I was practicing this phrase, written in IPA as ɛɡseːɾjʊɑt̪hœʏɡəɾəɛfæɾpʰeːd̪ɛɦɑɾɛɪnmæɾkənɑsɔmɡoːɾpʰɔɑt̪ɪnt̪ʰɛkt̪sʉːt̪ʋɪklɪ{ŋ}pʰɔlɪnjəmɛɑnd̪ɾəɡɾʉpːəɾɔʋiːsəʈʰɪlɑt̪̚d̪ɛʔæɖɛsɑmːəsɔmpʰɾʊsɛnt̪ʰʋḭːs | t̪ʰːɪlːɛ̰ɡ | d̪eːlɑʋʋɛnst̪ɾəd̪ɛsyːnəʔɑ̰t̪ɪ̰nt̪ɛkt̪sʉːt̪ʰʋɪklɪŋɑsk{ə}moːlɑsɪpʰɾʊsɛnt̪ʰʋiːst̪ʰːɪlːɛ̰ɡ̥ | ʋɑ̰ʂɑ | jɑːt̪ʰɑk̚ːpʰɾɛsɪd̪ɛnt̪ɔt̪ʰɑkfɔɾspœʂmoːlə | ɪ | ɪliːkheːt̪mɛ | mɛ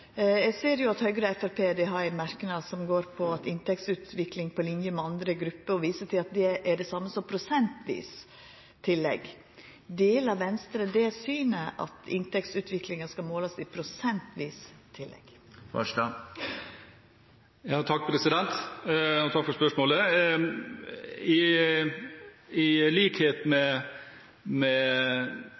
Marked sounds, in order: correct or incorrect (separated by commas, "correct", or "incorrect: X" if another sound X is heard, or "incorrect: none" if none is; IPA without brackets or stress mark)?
correct, incorrect: ɑ